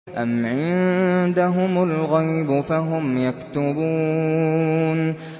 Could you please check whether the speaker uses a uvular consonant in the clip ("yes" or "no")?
no